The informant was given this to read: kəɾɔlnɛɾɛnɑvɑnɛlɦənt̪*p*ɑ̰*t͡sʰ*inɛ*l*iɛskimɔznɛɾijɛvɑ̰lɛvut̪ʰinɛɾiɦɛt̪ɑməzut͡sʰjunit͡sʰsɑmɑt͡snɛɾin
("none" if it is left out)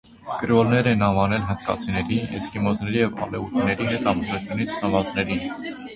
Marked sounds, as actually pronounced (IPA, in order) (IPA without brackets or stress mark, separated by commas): k, t͡sʰ, ɾ